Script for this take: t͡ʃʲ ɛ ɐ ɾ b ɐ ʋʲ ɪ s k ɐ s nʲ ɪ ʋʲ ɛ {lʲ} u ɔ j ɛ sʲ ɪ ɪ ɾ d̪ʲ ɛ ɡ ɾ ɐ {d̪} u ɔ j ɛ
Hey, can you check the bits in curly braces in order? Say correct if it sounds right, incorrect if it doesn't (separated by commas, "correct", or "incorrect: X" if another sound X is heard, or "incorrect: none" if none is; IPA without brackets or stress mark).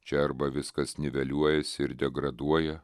correct, correct